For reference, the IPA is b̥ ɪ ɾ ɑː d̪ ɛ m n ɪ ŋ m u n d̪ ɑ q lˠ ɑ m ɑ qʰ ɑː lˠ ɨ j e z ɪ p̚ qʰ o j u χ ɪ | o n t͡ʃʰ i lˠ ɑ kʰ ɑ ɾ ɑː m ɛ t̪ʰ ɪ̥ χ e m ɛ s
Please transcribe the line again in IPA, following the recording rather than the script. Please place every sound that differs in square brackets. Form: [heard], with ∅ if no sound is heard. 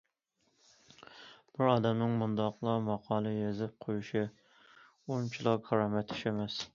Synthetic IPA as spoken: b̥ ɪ ɾ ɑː d̪ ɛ m n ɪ ŋ m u n d̪ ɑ q lˠ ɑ m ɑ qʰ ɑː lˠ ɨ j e z ɪ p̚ qʰ o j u [ʃ] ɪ | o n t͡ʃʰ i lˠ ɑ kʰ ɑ ɾ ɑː m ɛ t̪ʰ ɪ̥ [ʃ] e m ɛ s